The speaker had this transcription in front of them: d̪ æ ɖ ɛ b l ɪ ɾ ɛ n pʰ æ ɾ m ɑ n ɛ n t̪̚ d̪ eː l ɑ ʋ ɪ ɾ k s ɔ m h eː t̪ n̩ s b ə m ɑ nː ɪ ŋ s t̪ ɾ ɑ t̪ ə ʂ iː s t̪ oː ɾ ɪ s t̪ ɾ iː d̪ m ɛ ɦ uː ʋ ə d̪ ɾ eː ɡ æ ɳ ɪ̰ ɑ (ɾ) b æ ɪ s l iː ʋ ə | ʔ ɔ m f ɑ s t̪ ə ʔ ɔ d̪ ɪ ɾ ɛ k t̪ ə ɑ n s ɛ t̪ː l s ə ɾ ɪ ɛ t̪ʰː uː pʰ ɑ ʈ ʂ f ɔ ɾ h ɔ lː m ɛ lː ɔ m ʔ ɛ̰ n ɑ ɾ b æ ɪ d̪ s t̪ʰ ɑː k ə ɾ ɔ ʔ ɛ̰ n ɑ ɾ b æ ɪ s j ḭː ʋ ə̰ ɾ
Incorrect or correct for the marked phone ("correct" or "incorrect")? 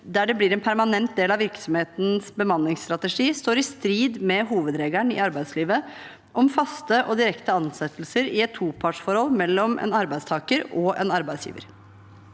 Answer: correct